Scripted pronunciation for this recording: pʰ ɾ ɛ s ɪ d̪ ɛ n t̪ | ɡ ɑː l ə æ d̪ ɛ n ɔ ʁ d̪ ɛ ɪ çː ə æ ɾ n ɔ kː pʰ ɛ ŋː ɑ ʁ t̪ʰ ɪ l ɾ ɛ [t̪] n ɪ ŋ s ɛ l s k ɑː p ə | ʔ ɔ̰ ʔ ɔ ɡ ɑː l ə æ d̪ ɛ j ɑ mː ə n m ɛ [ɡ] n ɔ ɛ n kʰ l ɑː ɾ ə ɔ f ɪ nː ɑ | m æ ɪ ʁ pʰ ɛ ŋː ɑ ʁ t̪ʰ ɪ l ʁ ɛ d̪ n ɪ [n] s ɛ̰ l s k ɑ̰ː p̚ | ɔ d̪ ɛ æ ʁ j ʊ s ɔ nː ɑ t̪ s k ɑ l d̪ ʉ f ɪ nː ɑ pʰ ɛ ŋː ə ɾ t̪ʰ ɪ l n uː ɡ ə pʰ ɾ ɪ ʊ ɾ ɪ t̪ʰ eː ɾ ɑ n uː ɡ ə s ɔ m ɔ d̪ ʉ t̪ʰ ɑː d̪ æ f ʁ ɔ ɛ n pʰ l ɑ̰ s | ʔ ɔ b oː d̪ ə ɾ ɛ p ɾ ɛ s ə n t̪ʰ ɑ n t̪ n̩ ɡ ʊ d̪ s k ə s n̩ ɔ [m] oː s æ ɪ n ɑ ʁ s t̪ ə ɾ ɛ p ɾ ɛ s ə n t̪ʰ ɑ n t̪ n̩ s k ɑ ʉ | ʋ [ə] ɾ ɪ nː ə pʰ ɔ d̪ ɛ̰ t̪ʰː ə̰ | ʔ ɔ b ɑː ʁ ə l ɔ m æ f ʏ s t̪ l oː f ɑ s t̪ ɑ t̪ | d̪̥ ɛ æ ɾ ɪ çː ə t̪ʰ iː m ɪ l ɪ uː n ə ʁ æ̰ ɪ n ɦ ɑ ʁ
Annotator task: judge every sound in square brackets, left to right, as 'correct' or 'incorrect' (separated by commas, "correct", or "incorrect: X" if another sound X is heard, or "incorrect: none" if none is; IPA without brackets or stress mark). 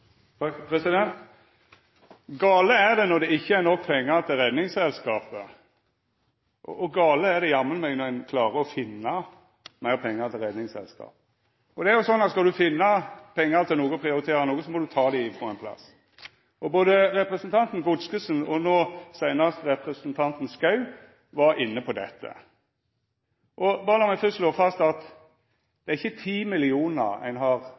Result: incorrect: d̪, correct, incorrect: ŋ, incorrect: n, incorrect: ɑ